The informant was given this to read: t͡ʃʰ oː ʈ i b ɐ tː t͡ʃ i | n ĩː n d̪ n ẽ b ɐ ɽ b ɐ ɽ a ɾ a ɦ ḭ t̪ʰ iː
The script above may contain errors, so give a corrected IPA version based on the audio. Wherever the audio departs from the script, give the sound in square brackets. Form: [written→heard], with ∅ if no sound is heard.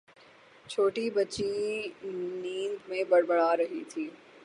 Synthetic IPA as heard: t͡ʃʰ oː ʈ i b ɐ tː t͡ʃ i | n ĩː n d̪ [n→m] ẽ b ɐ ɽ b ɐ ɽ a ɾ [a→ɐ] ɦ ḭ t̪ʰ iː